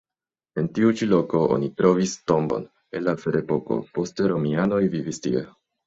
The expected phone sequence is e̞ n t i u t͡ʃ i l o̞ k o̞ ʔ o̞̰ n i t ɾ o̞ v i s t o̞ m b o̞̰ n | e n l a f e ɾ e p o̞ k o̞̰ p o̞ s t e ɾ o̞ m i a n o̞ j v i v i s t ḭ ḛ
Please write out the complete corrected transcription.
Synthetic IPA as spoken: e̞ n t i u t͡ʃ i l o̞ k o̞ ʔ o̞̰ n i t ɾ o̞ v i s t o̞ m b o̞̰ n | e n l a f e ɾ e p o̞ k o̞̰ p o̞ s t e ɾ o̞ m i a n o̞ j v i v i s t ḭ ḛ